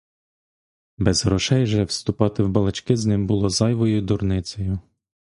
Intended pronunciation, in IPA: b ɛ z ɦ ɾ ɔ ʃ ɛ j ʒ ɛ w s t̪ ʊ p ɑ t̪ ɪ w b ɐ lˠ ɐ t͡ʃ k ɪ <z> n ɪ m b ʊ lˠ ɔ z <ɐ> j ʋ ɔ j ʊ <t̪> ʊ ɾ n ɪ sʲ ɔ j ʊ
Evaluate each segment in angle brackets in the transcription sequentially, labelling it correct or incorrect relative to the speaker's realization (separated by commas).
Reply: correct, incorrect, incorrect